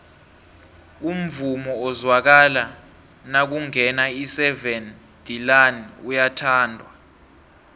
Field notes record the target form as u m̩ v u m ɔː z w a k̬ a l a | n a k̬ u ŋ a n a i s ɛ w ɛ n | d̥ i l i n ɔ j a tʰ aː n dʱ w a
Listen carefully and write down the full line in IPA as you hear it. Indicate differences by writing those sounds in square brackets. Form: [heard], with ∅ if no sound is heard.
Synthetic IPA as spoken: u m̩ v u m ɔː z w a k̬ a l a | n a k̬ u ŋ [ɛ] n a i s ɛ [v] ɛ n | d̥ i l [a] n [u] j a tʰ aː n dʱ w a